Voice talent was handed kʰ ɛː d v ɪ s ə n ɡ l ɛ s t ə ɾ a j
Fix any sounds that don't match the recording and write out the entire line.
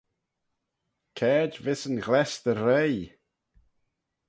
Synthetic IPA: kʰ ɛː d v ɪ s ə n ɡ l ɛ s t ə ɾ e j